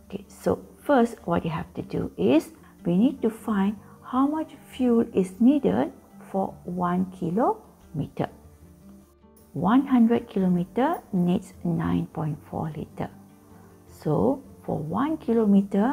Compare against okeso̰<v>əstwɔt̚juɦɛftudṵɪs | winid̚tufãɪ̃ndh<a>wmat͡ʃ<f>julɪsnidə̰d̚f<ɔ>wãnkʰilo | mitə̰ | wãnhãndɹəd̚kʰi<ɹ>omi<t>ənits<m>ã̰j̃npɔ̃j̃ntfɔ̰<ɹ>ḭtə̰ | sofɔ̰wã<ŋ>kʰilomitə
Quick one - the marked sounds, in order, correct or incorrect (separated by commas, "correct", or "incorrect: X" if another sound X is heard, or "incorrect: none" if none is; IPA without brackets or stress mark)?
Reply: incorrect: f, correct, correct, correct, incorrect: l, correct, incorrect: n, incorrect: l, incorrect: n